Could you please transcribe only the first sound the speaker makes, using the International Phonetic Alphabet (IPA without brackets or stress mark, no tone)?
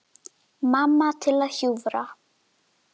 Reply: m